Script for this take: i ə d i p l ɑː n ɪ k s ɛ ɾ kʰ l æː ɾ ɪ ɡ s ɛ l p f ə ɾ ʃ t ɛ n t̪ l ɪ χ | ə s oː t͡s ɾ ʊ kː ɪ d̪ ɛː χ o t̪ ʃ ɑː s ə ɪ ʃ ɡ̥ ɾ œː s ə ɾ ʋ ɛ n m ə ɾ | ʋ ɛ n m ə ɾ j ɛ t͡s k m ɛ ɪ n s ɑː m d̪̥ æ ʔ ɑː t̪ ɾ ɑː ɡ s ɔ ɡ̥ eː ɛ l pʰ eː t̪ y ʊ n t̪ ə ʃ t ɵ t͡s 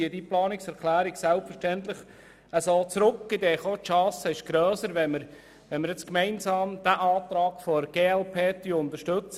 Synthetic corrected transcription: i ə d i p l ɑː n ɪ k s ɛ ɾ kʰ l æː ɾ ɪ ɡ s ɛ l p f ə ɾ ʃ t ɛ n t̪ l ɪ χ | ə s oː t͡s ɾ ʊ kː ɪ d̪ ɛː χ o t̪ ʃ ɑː s ə ɪ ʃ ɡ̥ ɾ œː s ə ɾ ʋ ɛ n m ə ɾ | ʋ ɛ n m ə ɾ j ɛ t͡s k m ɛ ɪ n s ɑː m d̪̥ æ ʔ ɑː t̪ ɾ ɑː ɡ f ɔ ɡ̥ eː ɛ l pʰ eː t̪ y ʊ n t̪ ə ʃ t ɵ t͡s

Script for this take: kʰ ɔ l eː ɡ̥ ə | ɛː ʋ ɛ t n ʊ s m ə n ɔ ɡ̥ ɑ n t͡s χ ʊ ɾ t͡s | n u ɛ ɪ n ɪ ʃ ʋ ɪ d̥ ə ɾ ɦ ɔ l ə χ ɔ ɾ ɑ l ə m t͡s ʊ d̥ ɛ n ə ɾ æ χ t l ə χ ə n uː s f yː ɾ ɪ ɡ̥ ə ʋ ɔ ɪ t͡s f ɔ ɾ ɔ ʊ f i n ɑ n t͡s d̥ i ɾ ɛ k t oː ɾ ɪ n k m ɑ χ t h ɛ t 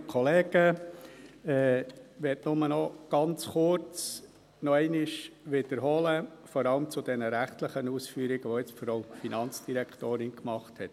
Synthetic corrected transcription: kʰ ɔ l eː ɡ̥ ə | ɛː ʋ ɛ t n ʊ m ə n ɔ ɡ̥ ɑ n t͡s χ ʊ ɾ t͡s | n ɔ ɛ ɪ n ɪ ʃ ʋ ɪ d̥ ə ɾ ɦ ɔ l ə f ɔ ɾ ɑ l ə m t͡s ʊ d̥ ɛ n ə ɾ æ χ t l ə χ ə n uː s f yː ɾ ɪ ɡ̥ ə ʋ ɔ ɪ t͡s f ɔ ɾ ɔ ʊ f i n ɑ n t͡s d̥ i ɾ ɛ k t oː ɾ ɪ n k m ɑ χ t h ɛ t

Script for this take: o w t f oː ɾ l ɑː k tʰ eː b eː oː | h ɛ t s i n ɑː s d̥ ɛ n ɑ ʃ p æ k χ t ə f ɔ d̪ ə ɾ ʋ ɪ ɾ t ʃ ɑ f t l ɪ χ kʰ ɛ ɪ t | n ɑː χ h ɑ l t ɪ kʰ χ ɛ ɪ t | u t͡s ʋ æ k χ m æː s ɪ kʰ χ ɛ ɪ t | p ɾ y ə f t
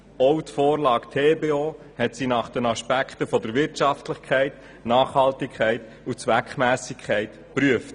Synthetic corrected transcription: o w t f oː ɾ l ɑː k tʰ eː b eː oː | h ɛ t s i n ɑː χ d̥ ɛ n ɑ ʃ p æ k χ t ə f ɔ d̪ ə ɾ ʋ ɪ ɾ t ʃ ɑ f t l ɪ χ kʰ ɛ ɪ t | n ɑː χ h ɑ l t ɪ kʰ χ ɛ ɪ t | u t͡s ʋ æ k χ m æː s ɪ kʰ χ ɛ ɪ t | p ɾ y ə f t

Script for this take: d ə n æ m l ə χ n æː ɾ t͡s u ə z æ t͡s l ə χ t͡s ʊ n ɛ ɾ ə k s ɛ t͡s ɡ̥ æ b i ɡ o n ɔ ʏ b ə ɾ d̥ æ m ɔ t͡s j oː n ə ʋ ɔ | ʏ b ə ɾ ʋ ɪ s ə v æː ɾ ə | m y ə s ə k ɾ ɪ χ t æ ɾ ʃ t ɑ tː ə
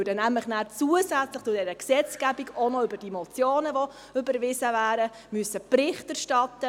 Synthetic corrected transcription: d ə n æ m l ə χ n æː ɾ t͡s u ə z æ t͡s l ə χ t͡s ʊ d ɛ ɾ ə k s ɛ t͡s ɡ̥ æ b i ɡ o n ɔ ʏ b ə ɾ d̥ i m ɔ t͡s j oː n ə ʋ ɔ | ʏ b ə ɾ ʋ ɪ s ə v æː ɾ ə | m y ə s ə p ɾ ɪ χ t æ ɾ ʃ t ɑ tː ə

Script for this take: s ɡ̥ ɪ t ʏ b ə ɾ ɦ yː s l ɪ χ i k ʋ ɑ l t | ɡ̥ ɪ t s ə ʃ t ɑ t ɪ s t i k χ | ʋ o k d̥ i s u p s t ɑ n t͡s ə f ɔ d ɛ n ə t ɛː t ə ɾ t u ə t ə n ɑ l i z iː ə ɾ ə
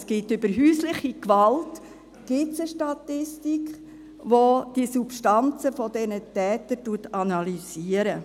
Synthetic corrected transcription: s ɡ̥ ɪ t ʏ b ə ɾ ɦ yː s l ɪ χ i k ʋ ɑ l t | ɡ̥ ɪ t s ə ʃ t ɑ t ɪ s t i k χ | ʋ o d̥ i s u p ʃ t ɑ n t͡s ə f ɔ d ɛ n ə t ɛː t ə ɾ t u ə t ɑ n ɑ l i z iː ə ɾ ə

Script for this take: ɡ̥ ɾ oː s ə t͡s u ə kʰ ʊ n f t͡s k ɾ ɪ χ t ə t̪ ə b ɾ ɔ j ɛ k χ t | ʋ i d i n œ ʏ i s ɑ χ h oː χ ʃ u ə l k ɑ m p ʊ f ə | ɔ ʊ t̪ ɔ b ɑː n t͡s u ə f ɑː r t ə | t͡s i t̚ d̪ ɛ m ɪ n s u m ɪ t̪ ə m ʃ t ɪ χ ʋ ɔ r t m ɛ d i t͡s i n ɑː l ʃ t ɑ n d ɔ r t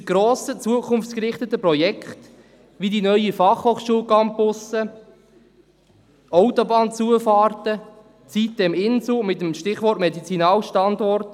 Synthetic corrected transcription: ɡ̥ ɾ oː s ə t͡s u ə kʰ ʊ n f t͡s k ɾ ɪ χ t ə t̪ ə p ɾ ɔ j ɛ k χ t | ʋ i d i n œ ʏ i f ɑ χ h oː χ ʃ u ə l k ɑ m p ʊ s ə | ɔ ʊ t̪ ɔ b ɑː n t͡s u ə f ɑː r t ə | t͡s i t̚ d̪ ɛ m ɪ n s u m ɪ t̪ ə m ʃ t ɪ χ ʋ ɔ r t m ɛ d i t͡s i n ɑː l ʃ t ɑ n d ɔ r t

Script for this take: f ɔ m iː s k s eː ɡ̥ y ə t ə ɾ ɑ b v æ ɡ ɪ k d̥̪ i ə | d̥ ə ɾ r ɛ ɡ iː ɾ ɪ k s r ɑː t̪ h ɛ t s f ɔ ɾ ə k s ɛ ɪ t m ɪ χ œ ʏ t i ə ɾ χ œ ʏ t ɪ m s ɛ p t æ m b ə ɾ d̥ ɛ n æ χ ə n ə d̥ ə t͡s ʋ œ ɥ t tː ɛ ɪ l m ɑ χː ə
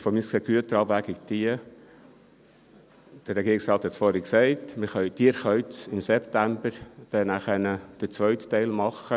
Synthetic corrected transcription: f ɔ m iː s k s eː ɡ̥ y ə t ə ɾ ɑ b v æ ɡ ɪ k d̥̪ i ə | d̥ ə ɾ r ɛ ɡ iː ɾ ɪ k s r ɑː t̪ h ɛ t s f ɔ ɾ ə k s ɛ ɪ t m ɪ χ œ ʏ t i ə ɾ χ œ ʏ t ɪ m s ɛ p t æ m b ə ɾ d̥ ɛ n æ χ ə n ə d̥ ə t͡s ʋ œ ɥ t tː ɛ ɪ l m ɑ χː ə

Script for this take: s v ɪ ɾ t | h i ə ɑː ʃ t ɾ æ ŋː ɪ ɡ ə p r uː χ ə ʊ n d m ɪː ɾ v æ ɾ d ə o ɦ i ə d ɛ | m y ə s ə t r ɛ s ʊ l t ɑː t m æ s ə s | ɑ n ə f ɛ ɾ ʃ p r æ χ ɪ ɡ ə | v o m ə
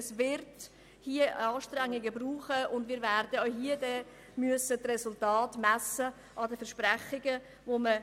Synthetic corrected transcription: s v ɪ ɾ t | h i ə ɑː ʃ t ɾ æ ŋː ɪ ɡ ə b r uː χ ə ʊ n d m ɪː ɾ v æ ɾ d ə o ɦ i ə d ɛ | m y ə s ə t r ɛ s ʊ l t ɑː t m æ s ə | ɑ d ə f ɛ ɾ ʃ p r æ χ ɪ ɡ ə | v o m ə

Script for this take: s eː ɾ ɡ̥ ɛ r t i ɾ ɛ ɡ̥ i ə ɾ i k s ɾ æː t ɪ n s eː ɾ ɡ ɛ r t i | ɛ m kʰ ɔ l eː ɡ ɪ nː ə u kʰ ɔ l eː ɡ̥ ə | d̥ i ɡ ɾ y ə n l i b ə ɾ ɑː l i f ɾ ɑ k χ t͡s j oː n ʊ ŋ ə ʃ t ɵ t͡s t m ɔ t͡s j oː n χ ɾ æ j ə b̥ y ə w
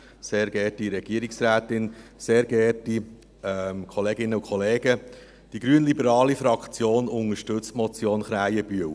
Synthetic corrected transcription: s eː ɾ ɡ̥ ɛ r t i ɾ ɛ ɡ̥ i ə ɾ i k s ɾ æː t ɪ n s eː ɾ ɡ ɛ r t i | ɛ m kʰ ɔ l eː ɡ ɪ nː ə u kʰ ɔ l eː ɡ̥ ə | d̥ i ɡ ɾ y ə n l i b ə ɾ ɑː l i f ɾ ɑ k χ t͡s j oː n ʊ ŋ ə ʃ t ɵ t͡s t m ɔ t͡s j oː n χ ɾ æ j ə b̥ y ə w

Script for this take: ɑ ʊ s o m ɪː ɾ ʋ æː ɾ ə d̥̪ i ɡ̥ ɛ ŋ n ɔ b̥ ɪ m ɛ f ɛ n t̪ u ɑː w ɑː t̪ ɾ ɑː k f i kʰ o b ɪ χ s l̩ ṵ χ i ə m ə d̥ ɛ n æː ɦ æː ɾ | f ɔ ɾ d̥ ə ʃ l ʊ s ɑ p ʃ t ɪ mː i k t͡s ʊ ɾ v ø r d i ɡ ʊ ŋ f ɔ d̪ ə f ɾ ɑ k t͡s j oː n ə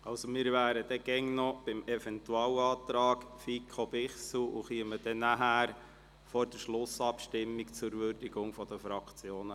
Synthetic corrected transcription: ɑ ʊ s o m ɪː ɾ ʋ æː ɾ ə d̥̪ ɛ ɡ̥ ɛ ŋ n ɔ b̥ ɪ m ɛ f ɛ n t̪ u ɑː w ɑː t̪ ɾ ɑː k f i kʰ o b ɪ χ s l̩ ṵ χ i ə m ə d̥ ɛ n æ ɦ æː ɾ | f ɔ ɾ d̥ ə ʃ l ʊ s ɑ p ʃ t ɪ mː i k t͡s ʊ ɾ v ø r d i ɡ ʊ ŋ f ɔ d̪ ə f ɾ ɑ k t͡s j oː n ə

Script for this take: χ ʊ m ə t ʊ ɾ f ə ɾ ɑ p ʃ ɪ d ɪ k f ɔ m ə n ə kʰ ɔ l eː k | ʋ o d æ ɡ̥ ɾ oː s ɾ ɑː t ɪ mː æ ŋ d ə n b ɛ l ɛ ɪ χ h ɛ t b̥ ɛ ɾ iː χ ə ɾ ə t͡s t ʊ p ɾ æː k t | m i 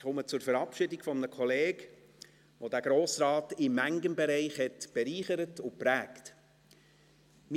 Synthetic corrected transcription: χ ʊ m ə t͡s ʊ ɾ f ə ɾ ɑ p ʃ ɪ d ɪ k f ɔ m ə n ə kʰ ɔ l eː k | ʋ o d æ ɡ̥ ɾ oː s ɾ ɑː t ɪ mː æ ŋ ɡ ə n b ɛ ɾ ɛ ɪ χ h ɛ t b̥ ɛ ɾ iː χ ə ɾ ə t ʊ p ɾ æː k t | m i

